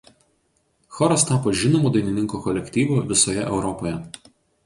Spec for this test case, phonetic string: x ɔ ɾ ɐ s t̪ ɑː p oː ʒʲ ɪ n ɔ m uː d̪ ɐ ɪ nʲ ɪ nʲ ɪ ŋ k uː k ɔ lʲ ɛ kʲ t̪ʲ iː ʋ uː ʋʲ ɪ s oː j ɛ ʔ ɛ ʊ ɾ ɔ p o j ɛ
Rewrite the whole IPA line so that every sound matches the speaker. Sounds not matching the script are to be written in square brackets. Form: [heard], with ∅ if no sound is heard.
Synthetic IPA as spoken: x ɔ ɾ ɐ s t̪ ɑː p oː ʒʲ ɪ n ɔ m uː d̪ ɐ ɪ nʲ ɪ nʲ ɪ ŋ k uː k ɔ lʲ ɛ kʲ t̪ʲ iː ʋ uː ʋʲ ɪ s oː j ɛ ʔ ɛ ʊ ɾ ɔ p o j ɛ

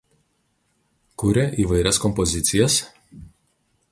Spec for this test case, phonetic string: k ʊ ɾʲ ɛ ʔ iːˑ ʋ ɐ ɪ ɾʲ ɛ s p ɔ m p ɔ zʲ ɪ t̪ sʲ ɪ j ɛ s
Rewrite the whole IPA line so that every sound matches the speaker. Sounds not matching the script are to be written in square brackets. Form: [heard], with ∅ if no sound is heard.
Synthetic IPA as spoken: k ʊ ɾʲ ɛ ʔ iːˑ ʋ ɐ ɪ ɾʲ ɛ s [k] ɔ m p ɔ zʲ ɪ t̪ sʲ ɪ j ɛ s

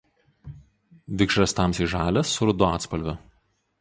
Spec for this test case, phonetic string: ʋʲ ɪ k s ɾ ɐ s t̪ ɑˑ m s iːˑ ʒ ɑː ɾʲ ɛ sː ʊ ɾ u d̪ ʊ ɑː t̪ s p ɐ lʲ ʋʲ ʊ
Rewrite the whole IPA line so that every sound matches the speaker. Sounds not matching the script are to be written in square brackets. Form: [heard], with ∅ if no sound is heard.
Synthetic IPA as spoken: ʋʲ ɪ k [ʃ] ɾ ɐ s t̪ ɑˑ m s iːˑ ʒ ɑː [lʲ] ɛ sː ʊ ɾ [ʊ] d̪ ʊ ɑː t̪ s p ɐ lʲ ʋʲ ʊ

